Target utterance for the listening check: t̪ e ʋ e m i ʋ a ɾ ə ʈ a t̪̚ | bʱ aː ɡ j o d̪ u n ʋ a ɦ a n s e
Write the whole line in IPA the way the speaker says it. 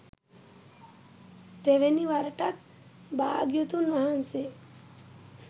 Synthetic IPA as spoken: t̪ e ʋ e n i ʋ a ɾ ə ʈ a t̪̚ | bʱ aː ɡ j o t̪ u n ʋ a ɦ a n s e